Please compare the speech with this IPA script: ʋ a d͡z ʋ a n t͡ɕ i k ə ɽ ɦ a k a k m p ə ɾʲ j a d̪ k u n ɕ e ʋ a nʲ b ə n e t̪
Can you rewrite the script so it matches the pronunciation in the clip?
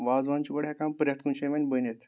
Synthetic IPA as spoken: ʋ a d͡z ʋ a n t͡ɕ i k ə ɽ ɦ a k a m p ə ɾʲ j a t̪ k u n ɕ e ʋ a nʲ b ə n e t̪